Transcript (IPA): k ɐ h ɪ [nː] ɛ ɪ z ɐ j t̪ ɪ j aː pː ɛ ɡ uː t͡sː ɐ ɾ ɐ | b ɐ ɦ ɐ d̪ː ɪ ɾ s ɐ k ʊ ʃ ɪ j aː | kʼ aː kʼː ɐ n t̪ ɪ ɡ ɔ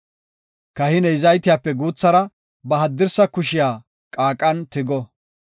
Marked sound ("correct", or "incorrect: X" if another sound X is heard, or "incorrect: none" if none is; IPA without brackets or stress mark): incorrect: n